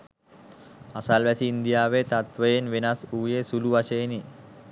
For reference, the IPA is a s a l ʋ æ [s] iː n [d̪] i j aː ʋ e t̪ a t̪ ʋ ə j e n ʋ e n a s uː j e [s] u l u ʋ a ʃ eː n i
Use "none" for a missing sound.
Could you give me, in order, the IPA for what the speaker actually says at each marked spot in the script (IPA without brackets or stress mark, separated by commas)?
s, d̪, s